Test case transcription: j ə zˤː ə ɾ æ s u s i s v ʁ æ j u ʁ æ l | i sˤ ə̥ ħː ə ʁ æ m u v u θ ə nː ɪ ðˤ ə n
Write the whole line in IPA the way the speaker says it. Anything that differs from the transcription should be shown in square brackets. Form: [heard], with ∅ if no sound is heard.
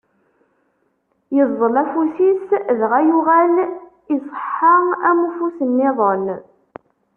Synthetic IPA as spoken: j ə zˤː ə [l] æ [f] u s i s [ð] ʁ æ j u ʁ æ l | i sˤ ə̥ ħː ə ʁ æ m u [f] u [s] ə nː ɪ ðˤ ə n